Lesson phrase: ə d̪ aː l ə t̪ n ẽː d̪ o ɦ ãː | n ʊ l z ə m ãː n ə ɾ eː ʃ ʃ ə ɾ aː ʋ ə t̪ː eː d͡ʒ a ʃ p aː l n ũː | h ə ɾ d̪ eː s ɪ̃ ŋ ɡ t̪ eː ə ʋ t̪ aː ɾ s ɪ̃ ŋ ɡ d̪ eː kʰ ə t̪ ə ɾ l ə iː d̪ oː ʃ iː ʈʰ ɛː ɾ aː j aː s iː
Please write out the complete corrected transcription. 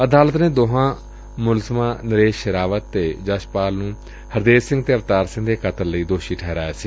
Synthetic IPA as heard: ə d̪ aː l ə t̪ n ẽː d̪ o ɦ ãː | m ʊ l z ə m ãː n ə ɾ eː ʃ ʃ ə ɾ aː ʋ ə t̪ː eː d͡ʒ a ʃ p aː l n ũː | h ə ɾ d̪ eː s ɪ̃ ŋ ɡ t̪ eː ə ʋ t̪ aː ɾ s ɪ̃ ŋ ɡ d̪ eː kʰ ə t̪ ə ɾ l ə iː d̪ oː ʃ iː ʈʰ ɛː ɾ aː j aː s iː